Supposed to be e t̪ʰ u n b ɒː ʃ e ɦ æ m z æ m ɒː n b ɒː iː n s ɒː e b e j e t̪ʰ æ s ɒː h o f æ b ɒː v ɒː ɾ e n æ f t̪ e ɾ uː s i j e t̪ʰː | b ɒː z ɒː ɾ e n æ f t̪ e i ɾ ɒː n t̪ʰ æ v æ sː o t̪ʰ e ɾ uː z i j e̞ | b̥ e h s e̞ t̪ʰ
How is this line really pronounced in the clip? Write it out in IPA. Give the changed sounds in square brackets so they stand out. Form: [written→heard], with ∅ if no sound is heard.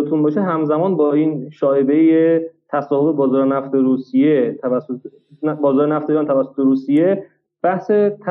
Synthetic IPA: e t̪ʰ u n b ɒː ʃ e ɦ æ m z æ m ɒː n b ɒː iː n [s→ʃ] ɒː e b e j e t̪ʰ æ s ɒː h o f [æ→e] b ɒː [v→z] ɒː ɾ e n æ f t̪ e ɾ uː s i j e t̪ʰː | b ɒː z ɒː ɾ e n æ f t̪ e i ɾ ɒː n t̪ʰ æ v æ sː o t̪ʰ e ɾ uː [z→s] i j e̞ | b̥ [e→æ] h s e̞ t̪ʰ